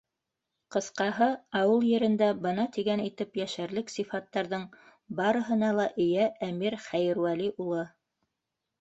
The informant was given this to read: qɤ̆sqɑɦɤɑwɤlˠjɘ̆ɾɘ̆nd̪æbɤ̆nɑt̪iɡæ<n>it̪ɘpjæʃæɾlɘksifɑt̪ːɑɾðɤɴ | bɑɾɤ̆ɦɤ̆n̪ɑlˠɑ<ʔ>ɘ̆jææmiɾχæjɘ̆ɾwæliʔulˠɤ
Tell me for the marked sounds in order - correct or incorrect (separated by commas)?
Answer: correct, correct